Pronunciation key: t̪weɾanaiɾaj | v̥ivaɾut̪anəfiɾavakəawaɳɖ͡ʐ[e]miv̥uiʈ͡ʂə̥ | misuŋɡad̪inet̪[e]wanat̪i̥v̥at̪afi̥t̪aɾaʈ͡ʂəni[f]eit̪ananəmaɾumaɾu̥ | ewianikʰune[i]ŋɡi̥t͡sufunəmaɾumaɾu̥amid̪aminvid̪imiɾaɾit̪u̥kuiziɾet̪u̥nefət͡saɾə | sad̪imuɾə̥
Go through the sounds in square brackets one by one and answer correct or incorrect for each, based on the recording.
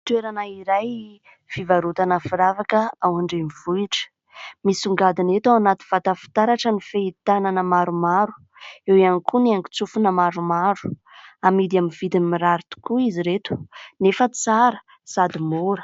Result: correct, incorrect: a, correct, incorrect: a

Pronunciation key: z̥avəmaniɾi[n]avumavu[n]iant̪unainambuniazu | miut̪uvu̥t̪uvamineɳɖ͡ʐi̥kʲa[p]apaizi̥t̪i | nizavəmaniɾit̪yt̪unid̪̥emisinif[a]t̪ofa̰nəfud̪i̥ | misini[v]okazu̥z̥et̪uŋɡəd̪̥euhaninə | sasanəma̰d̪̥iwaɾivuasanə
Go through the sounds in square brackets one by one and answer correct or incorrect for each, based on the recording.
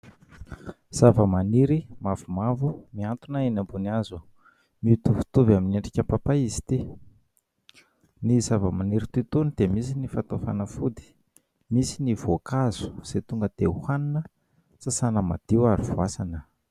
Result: incorrect: m, incorrect: m, correct, correct, correct

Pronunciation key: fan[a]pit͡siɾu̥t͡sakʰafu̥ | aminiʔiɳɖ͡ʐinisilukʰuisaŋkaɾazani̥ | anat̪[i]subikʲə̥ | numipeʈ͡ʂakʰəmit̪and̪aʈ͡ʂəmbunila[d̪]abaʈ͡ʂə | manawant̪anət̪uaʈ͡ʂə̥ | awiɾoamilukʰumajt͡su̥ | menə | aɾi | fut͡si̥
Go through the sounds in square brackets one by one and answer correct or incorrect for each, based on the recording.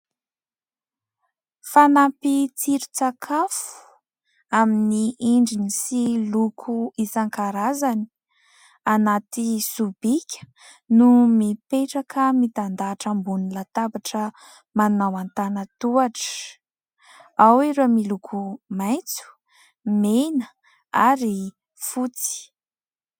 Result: correct, correct, incorrect: t̪

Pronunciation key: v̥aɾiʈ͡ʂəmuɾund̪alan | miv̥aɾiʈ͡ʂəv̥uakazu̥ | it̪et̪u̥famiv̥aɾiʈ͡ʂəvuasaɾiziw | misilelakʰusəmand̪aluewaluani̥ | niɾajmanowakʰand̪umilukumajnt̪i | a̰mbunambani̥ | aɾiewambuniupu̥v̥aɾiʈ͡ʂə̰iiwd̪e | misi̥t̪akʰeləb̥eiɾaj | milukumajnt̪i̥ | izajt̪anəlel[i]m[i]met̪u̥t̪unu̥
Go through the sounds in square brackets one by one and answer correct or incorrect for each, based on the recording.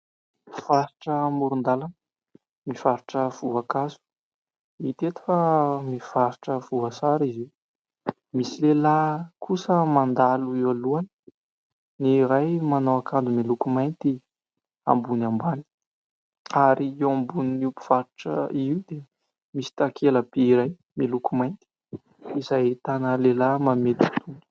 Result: incorrect: a, incorrect: a

